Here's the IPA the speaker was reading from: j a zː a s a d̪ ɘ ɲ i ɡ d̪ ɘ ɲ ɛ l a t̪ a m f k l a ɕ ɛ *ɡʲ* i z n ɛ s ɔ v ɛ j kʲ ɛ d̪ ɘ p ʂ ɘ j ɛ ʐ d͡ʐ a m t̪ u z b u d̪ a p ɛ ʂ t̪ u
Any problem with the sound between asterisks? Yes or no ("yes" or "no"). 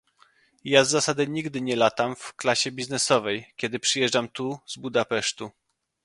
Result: yes